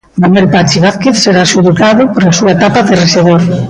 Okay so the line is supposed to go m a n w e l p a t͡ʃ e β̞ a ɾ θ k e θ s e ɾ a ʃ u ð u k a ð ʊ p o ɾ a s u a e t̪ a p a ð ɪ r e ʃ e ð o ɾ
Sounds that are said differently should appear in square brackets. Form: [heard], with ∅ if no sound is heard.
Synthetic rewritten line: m a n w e l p a t͡ʃ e β̞ a [∅] θ k e θ s e ɾ a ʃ u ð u k a ð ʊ p o ɾ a s u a e t̪ a p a ð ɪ r e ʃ e ð o ɾ